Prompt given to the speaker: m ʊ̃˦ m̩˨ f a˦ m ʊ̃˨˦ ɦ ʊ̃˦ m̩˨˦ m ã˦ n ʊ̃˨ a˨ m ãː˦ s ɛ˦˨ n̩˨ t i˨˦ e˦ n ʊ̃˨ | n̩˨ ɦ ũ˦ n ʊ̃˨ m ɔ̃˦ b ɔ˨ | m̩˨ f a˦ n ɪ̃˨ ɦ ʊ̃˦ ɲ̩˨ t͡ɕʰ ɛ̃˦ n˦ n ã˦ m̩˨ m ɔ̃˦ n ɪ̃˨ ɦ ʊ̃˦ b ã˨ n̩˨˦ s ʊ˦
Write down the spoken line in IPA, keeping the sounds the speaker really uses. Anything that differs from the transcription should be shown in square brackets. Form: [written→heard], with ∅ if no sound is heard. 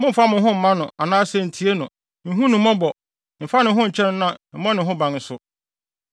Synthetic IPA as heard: m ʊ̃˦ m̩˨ f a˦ m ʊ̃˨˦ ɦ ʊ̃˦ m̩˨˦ m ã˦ n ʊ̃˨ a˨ [m→n] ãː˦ s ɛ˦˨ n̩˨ [t→tʰ] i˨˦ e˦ n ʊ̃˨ | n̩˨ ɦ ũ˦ n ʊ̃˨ m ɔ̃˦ b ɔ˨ | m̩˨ f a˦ n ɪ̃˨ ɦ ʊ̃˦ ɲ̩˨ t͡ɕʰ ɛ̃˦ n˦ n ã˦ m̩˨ m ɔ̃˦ n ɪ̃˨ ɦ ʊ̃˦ b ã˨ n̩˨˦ s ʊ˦